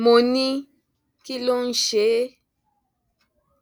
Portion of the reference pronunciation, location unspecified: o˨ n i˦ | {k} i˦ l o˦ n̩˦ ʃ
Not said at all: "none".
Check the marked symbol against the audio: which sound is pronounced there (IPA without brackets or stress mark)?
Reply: k